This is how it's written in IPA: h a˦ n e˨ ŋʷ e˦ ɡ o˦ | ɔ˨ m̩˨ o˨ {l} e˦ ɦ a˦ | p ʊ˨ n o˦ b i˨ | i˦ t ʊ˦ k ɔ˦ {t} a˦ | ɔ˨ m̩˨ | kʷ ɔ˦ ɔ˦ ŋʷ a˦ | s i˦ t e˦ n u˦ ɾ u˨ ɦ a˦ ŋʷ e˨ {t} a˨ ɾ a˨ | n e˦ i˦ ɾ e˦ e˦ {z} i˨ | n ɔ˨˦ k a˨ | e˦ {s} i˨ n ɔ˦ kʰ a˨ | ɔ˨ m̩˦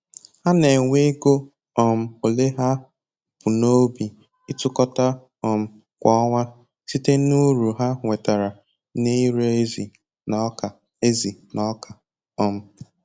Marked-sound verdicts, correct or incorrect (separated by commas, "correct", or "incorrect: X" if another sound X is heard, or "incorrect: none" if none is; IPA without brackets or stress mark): correct, correct, correct, correct, incorrect: z